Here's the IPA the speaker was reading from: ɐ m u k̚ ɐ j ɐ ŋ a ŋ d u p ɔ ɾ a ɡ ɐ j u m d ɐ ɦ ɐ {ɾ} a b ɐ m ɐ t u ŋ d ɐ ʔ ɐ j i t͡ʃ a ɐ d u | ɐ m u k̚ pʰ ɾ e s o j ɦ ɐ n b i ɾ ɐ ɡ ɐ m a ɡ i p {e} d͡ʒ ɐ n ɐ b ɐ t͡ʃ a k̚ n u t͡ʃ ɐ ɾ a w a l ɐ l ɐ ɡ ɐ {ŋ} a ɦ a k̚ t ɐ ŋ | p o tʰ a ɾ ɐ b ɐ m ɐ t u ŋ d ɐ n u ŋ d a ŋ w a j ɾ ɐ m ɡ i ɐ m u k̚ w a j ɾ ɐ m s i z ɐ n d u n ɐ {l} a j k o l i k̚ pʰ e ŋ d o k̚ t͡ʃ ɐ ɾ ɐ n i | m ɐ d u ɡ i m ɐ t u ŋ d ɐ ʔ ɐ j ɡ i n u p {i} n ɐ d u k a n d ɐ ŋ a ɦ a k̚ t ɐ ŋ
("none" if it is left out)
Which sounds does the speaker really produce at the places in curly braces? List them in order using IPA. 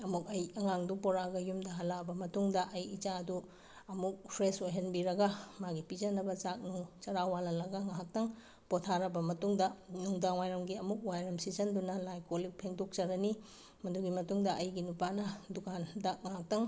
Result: l, i, ŋ, l, a

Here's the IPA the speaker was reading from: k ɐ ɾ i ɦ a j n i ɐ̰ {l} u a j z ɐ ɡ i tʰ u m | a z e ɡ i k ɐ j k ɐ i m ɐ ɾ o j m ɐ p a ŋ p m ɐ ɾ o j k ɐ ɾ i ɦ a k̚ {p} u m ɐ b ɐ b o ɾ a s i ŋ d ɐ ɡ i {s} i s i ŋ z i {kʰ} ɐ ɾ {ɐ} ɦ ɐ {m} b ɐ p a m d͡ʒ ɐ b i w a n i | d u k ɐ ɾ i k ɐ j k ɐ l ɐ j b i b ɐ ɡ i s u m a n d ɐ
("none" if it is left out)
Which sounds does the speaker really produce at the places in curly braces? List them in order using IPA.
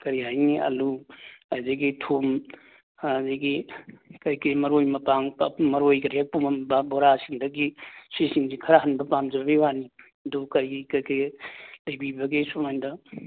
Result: l, p, s, kʰ, a, n

